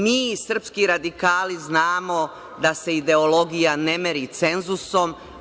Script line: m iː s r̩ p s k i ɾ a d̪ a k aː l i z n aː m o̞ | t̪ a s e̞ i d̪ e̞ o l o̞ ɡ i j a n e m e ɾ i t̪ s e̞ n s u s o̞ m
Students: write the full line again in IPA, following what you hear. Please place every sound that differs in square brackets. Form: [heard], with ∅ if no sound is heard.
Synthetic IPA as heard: m iː s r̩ p s k i ɾ a d̪ [i] k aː l i z n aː m o̞ | [d̪] a s e̞ i d̪ e̞ o l o̞ ɡ i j a n e m e ɾ i t̪ s e̞ n [z] u s o̞ m